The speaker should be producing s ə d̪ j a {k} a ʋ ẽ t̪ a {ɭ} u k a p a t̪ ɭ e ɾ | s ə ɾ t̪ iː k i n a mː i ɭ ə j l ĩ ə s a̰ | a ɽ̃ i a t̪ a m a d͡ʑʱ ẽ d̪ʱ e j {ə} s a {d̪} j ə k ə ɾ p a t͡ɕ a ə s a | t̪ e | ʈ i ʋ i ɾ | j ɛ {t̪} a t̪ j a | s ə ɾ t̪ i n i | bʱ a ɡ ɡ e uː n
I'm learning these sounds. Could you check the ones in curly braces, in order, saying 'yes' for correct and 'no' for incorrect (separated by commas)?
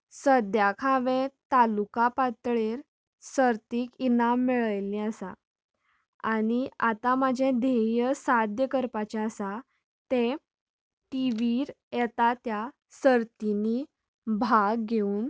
no, no, yes, yes, yes